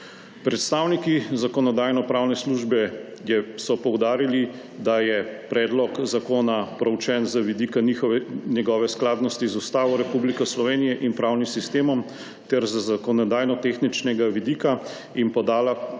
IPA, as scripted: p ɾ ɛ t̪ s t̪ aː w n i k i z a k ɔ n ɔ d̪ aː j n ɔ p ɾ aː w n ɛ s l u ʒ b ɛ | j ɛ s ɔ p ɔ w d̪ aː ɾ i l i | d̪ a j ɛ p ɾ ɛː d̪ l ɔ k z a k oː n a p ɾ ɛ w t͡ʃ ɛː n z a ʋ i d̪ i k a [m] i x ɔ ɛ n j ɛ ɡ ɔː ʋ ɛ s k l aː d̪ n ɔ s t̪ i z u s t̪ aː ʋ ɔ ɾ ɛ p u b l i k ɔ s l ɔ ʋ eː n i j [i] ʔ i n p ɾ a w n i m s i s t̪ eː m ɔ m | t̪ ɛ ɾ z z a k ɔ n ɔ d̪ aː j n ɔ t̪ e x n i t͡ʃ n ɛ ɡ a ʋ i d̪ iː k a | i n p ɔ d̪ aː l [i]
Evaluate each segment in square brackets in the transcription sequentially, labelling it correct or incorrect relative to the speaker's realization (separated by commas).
incorrect, incorrect, incorrect